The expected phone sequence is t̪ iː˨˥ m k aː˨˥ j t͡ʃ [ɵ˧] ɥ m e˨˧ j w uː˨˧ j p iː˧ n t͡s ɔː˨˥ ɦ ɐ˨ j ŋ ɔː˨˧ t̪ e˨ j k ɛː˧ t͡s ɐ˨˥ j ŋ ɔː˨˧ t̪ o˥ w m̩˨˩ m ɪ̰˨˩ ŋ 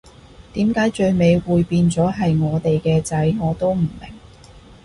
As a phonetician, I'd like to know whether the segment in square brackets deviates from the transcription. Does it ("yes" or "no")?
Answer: no